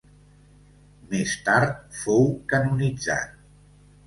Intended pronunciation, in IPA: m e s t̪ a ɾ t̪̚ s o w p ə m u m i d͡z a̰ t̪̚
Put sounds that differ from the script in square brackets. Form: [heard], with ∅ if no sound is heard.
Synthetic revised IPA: m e s t̪ a ɾ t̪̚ [f] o w [k] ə [n] u [n] i d͡z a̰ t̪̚